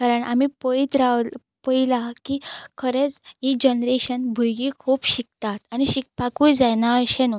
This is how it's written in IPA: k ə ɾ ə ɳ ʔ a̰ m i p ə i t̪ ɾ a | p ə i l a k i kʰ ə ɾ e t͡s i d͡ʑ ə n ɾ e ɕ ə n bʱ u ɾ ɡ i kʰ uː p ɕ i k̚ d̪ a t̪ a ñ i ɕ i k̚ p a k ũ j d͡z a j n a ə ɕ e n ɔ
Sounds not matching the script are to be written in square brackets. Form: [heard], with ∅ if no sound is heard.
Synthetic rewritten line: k [a] ɾ ə ɳ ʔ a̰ m i p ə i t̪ ɾ a | p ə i l a k i kʰ ə ɾ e t͡s i d͡ʑ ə n ɾ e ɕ ə n bʱ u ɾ ɡ i kʰ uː p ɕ i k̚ [t̪] a t̪ a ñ i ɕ i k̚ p a k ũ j d͡z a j n a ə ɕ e n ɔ